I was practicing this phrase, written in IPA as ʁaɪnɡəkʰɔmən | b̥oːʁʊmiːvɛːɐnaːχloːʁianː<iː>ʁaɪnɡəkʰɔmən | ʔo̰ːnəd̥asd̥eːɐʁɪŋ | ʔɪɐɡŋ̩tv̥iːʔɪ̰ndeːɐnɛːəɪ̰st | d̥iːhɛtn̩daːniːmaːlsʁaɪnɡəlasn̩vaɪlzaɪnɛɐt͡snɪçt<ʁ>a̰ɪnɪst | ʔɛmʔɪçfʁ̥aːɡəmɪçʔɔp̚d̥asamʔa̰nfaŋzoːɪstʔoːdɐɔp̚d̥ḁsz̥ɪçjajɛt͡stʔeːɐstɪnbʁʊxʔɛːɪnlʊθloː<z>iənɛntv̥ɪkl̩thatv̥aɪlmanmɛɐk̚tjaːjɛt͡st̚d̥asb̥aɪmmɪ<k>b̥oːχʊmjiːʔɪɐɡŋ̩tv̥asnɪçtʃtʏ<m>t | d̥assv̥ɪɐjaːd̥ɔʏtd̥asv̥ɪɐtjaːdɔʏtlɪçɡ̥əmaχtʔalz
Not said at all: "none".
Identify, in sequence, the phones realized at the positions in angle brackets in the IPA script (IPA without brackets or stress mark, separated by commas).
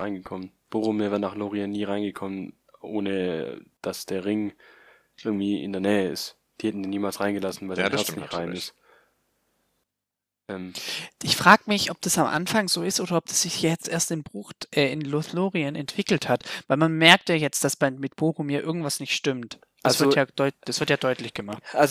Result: iː, ʁ, ʁ, t, m